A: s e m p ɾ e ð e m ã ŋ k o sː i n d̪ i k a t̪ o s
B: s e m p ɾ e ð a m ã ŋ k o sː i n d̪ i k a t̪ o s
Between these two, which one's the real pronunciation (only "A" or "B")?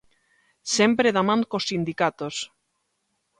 B